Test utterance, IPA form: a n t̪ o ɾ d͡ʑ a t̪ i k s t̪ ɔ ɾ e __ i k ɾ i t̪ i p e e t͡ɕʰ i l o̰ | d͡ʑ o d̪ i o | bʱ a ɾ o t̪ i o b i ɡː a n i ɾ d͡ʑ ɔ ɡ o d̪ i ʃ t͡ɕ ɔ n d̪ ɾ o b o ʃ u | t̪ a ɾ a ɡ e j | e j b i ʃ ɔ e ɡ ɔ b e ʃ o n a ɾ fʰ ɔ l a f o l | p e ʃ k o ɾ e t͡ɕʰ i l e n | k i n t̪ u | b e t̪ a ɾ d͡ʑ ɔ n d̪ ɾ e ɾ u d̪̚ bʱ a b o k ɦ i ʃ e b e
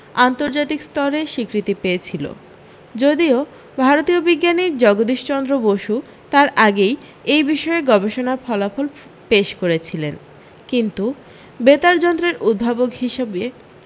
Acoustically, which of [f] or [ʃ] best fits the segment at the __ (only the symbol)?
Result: ʃ